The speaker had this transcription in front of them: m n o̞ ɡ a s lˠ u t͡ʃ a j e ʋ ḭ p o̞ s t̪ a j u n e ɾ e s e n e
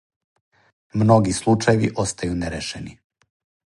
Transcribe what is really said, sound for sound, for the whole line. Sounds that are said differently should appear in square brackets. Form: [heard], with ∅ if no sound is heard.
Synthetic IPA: m n o̞ ɡ [i] s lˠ u t͡ʃ a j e ʋ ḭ [ʔ] o̞ s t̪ a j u n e ɾ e [ʃ] e n [i]